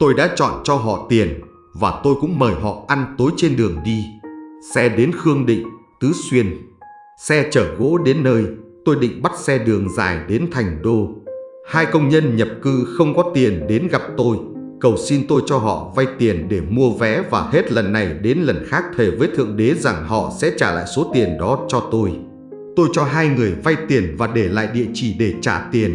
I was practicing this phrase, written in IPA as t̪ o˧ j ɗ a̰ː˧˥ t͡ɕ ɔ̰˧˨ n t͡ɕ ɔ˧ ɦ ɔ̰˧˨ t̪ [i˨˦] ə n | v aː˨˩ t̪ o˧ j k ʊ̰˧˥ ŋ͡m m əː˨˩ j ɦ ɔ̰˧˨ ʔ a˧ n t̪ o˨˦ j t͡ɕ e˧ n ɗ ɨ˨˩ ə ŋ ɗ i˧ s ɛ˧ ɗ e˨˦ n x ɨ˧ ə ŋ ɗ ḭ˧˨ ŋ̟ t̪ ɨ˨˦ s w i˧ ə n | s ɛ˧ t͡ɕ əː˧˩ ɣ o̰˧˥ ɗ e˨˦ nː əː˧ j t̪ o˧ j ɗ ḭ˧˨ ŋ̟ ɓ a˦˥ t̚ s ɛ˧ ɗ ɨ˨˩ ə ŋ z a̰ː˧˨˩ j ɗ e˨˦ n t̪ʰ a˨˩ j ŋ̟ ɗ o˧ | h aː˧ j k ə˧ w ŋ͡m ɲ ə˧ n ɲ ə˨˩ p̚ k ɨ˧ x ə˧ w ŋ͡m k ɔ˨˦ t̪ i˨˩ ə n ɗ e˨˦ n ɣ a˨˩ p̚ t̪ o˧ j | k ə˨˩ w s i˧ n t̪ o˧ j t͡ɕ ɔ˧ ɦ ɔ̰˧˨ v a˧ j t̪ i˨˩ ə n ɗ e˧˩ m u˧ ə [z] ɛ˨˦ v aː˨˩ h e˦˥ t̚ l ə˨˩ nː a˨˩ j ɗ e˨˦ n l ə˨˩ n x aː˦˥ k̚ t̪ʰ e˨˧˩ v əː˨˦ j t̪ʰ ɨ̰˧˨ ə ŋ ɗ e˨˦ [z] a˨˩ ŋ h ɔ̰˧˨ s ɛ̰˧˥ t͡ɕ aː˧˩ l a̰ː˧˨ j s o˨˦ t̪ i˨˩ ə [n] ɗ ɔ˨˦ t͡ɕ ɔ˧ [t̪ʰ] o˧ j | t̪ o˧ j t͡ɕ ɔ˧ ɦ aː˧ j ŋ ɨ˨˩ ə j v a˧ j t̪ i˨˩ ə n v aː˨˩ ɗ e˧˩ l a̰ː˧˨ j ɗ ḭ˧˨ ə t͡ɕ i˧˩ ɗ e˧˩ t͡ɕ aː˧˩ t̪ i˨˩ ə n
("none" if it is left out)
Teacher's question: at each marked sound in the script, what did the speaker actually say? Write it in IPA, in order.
i˨˩, v, z, n, t̪

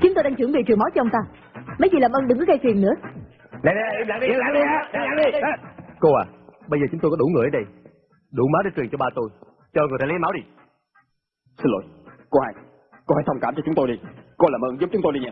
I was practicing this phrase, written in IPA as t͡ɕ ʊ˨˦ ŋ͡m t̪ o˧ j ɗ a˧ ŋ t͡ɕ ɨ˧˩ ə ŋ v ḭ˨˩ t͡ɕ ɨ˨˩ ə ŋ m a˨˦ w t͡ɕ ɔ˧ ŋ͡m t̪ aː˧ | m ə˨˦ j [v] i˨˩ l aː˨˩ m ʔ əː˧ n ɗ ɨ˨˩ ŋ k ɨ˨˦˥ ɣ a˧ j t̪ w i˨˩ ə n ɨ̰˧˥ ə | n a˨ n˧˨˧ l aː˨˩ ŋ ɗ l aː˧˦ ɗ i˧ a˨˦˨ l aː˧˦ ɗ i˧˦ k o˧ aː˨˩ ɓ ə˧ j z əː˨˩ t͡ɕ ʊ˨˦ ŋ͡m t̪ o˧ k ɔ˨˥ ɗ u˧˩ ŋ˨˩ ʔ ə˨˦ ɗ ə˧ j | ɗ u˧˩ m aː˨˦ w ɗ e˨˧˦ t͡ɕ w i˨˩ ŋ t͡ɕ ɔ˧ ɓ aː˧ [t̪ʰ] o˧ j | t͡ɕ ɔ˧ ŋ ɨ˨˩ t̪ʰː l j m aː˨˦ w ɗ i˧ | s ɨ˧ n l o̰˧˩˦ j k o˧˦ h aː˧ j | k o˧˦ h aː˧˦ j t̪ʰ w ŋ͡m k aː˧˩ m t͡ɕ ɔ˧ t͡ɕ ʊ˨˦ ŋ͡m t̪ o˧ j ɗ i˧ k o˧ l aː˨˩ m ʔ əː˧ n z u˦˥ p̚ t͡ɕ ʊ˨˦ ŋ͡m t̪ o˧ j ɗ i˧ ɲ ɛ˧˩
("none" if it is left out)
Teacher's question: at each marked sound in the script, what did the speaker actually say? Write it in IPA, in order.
z, t̪

